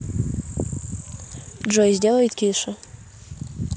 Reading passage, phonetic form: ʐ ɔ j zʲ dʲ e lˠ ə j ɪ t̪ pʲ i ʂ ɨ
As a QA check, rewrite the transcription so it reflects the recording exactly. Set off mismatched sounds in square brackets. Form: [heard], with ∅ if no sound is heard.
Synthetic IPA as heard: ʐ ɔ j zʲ dʲ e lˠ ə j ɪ t̪ [kʲ] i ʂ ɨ